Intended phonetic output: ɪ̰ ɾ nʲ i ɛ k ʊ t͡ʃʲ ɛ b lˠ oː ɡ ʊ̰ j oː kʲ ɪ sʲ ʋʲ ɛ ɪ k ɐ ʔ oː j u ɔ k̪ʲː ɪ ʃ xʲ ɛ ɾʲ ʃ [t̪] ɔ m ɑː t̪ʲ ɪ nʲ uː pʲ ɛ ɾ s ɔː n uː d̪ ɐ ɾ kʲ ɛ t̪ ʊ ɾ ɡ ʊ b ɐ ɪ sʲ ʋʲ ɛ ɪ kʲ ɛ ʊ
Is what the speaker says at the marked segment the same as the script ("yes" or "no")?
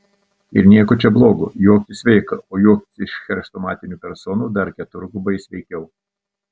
yes